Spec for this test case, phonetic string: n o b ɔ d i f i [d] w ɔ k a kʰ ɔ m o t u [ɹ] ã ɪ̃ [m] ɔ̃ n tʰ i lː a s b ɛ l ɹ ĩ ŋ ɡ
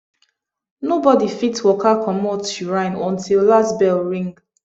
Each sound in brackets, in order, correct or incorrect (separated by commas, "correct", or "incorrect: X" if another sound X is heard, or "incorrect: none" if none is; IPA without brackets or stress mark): incorrect: t, correct, incorrect: n